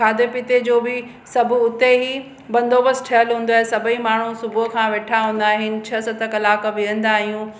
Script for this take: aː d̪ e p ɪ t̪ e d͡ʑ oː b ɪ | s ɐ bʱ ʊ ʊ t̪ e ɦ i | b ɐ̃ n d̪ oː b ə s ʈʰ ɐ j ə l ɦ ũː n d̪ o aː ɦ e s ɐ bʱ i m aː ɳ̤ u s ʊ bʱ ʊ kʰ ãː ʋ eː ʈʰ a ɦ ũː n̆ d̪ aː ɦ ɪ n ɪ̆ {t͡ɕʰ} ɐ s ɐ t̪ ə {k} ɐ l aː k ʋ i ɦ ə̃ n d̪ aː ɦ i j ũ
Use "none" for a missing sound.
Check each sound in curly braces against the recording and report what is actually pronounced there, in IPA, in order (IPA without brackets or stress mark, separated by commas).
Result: t͡ɕʰ, k